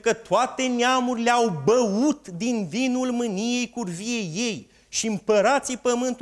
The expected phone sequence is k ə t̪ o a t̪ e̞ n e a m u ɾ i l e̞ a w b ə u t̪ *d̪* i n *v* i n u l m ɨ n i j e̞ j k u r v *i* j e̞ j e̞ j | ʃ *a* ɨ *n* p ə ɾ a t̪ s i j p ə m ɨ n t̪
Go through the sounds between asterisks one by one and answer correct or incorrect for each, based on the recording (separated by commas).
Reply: correct, correct, correct, incorrect, incorrect